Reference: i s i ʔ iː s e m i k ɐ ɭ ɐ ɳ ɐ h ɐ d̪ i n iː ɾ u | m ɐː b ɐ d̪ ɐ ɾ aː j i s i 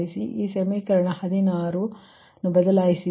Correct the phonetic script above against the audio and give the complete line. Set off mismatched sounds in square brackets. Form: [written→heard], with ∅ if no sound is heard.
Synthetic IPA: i s i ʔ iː s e m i k ɐ [ɭ→ɾ] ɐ ɳ ɐ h ɐ d̪ i n [iː→aː] ɾ u | [m→n] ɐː b ɐ d̪ ɐ [ɾ→l] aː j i s i